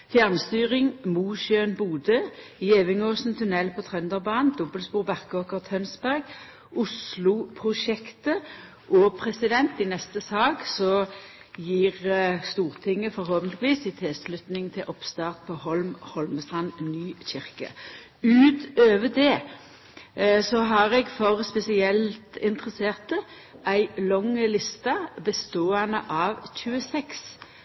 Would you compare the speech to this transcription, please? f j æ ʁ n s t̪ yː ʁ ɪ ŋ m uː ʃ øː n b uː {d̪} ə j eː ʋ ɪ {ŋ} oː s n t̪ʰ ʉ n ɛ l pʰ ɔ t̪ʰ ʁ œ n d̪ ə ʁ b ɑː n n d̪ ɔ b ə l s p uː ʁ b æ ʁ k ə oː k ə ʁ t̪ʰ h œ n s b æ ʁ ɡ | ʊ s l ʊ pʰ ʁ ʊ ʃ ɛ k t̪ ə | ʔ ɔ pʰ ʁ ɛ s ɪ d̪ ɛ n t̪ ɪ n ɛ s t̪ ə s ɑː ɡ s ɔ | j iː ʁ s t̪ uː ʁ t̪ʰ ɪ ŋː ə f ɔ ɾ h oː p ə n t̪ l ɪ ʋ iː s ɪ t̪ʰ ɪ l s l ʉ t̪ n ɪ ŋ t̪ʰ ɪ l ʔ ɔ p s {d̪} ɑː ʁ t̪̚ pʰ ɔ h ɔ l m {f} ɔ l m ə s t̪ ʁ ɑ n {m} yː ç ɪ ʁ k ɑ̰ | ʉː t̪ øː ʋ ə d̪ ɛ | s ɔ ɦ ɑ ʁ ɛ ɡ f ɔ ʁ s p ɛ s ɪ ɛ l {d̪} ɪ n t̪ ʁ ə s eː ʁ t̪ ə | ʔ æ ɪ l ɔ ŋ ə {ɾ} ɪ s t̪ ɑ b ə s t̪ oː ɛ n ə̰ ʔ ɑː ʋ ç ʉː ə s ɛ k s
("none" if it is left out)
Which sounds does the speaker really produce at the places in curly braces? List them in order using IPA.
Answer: d̪, ŋ, t̪, h, n, t̪, l

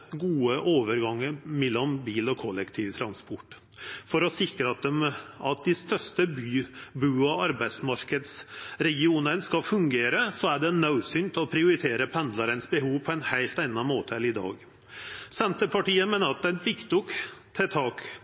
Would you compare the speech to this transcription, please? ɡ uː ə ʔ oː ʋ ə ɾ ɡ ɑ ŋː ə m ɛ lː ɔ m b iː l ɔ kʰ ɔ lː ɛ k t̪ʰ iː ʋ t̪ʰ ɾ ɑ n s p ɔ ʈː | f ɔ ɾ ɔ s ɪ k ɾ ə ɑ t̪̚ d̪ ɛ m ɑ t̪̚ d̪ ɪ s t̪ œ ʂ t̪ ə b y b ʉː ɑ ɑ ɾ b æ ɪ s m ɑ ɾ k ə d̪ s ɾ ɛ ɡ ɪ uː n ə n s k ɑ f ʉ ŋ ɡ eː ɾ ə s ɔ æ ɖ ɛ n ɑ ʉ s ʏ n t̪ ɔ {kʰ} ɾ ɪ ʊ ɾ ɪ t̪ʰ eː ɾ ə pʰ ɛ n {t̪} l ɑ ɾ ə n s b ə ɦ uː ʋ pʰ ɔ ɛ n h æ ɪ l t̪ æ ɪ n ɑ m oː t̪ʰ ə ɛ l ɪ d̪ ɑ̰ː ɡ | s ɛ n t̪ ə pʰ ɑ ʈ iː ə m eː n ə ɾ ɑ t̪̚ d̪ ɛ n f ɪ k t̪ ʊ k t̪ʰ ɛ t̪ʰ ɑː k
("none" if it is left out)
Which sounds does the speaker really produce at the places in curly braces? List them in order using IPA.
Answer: pʰ, d̪

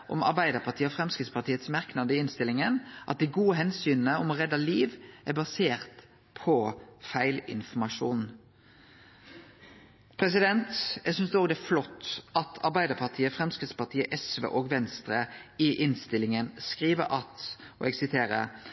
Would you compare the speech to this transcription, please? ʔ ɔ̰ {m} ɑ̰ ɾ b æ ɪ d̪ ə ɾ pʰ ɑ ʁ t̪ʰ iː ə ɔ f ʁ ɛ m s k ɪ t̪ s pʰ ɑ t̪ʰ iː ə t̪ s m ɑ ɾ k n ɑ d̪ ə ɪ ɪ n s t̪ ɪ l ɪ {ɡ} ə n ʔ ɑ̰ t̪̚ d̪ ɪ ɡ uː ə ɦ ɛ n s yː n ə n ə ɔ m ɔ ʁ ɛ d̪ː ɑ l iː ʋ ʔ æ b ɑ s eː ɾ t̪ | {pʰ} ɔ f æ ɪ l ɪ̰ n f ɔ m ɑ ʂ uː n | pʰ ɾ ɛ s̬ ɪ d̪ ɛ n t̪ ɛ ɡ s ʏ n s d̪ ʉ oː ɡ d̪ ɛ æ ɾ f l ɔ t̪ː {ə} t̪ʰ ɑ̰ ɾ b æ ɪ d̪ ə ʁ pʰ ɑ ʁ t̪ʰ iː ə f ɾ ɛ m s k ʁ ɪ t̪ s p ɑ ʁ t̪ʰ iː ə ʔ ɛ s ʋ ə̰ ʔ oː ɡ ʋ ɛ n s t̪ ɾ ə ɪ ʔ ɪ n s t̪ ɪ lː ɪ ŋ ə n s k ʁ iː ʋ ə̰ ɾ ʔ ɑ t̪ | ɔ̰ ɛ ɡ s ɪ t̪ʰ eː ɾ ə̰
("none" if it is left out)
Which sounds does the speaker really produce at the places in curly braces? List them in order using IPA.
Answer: m, ŋ, pʰ, ɑ

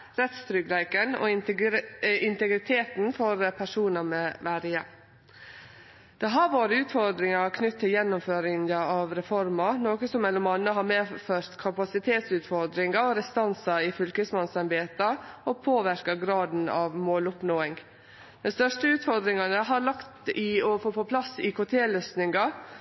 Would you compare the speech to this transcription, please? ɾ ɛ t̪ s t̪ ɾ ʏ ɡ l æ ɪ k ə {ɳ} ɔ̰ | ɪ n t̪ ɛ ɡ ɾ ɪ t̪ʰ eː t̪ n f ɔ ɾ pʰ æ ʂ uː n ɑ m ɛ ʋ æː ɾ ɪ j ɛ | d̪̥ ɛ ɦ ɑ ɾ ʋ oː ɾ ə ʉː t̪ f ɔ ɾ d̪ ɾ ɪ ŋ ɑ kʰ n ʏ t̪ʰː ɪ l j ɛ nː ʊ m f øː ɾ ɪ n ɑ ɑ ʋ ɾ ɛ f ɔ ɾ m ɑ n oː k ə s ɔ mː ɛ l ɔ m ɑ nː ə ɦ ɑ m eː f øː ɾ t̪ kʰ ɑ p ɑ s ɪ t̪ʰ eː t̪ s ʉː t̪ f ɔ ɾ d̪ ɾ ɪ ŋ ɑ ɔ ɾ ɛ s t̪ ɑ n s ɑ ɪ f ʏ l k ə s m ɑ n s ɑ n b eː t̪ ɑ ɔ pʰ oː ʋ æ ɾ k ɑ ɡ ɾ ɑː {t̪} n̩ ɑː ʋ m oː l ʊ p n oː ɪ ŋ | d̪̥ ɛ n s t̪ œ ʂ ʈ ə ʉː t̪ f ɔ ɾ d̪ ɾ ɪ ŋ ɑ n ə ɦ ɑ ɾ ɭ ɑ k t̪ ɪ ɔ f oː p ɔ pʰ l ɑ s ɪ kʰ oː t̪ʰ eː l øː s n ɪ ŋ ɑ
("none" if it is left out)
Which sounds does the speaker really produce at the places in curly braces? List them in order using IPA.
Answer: n, d̪

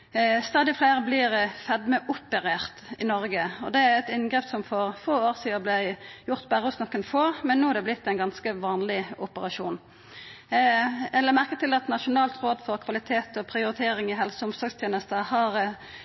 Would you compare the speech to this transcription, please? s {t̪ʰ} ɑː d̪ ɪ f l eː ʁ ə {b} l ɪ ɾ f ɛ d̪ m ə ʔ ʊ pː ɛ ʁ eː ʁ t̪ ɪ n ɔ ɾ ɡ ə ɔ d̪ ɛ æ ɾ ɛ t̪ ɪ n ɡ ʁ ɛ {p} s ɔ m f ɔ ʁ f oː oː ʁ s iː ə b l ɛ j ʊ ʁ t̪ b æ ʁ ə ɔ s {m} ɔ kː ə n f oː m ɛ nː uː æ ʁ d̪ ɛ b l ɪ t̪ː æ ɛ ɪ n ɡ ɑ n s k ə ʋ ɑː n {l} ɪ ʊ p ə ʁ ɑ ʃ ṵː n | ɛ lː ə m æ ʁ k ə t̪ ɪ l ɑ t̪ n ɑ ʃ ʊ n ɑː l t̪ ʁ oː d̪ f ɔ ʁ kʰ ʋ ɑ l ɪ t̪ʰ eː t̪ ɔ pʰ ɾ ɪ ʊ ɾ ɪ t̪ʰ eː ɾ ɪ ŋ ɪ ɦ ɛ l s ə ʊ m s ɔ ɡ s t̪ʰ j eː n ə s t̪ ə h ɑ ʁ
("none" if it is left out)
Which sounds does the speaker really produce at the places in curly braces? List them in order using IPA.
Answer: t̪, b, p, n, l

